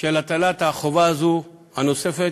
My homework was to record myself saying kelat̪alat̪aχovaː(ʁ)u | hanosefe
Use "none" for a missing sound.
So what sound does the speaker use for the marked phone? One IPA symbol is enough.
z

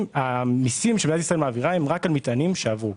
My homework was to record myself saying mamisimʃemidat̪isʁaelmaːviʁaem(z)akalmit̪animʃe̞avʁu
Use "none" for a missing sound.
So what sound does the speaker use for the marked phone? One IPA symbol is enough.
ʁ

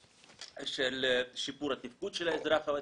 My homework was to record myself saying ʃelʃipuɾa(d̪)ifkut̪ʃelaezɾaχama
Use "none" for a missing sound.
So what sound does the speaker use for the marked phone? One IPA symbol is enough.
t̪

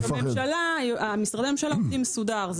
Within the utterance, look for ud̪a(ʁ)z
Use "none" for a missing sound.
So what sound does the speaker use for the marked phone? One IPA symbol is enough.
ʁ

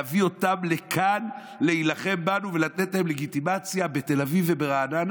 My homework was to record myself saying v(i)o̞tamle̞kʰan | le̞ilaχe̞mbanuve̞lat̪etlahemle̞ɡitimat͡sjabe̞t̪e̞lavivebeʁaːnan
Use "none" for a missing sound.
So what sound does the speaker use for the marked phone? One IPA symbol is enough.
i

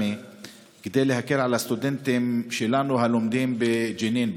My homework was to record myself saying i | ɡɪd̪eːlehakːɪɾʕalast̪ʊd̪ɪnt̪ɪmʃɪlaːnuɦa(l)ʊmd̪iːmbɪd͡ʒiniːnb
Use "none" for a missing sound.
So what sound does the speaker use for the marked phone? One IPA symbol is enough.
l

